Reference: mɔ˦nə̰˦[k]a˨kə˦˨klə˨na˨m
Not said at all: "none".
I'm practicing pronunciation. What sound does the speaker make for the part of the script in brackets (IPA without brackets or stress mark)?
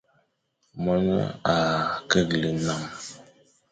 none